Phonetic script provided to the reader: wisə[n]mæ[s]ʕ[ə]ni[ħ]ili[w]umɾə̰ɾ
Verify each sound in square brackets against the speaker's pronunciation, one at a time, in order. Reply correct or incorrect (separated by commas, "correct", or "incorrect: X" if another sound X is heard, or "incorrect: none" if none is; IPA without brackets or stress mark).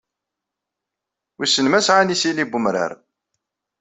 correct, correct, incorrect: a, incorrect: s, incorrect: b